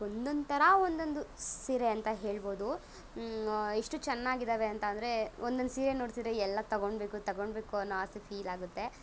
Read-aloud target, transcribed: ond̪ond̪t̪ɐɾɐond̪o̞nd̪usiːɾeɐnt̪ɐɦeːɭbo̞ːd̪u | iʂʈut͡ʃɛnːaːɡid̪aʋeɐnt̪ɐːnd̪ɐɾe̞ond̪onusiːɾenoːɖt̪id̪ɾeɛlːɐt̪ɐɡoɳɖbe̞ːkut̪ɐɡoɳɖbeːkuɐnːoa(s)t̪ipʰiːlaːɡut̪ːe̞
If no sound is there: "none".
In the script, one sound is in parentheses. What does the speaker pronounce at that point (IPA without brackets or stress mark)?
s